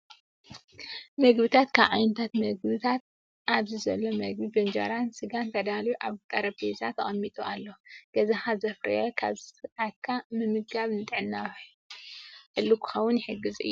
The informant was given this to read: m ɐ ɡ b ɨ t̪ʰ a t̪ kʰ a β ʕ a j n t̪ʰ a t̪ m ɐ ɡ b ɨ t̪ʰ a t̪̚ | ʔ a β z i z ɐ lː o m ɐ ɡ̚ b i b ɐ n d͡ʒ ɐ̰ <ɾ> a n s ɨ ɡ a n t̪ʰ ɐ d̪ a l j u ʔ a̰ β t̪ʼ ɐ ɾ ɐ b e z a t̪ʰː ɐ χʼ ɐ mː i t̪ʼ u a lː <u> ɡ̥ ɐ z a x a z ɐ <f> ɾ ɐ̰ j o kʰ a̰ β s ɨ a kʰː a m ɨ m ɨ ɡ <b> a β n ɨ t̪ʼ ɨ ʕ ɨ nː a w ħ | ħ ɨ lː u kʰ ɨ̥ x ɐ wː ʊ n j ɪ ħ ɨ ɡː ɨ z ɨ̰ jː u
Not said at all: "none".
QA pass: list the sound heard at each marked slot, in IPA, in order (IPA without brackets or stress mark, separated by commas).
ɾ, o, f, ɡ